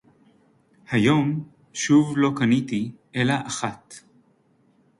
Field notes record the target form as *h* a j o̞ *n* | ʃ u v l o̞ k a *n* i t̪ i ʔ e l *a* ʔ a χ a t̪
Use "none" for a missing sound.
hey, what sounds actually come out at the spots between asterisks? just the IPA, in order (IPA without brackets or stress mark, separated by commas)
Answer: h, m, n, a